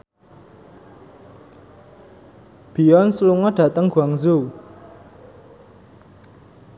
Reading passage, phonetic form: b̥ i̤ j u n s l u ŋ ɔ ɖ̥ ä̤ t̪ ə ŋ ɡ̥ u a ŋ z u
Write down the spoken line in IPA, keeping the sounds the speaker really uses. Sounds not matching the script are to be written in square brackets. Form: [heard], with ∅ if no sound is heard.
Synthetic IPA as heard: b̥ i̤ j [ɔ] n s l u ŋ ɔ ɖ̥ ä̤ t̪ ə ŋ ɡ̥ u a ŋ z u